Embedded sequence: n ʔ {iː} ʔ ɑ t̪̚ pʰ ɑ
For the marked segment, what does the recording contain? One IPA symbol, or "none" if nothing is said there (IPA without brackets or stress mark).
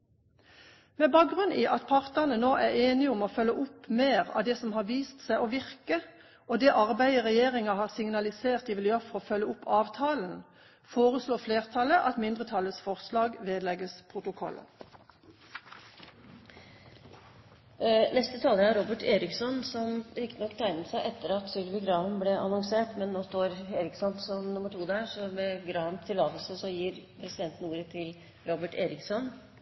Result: iː